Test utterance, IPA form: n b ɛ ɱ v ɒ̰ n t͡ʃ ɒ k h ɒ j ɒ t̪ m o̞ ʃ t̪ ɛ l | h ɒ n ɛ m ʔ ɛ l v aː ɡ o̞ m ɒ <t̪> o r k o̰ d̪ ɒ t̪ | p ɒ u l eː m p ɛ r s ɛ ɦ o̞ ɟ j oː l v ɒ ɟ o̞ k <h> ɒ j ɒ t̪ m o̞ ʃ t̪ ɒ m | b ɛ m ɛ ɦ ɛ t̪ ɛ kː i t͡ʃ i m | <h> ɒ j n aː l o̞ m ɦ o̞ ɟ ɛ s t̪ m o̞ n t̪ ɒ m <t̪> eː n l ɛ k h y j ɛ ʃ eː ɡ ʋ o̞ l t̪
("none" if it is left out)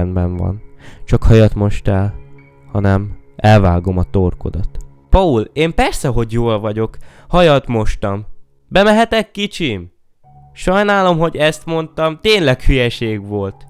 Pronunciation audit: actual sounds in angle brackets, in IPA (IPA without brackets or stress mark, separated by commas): t̪, h, ʃ, t̪